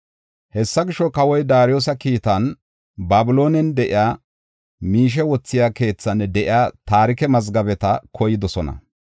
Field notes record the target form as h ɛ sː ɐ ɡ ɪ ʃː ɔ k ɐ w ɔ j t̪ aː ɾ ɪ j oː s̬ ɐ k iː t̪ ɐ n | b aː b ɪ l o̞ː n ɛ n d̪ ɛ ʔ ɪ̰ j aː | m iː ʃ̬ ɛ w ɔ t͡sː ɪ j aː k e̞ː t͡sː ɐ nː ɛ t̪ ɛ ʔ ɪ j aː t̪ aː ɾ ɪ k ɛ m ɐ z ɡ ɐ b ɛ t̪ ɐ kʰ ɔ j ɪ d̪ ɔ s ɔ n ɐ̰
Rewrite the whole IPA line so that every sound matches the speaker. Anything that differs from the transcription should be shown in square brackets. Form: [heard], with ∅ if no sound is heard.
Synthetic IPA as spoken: h ɛ sː ɐ ɡ ɪ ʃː ɔ k ɐ w ɔ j [d̪] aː ɾ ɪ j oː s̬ ɐ k iː t̪ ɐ n | b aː b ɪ l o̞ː n ɛ n d̪ ɛ ʔ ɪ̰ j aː | m iː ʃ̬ ɛ w ɔ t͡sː ɪ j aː k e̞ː t͡sː ɐ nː ɛ [d̪] ɛ ʔ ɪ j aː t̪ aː ɾ ɪ k ɛ m ɐ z ɡ ɐ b ɛ t̪ ɐ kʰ ɔ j ɪ d̪ ɔ s ɔ n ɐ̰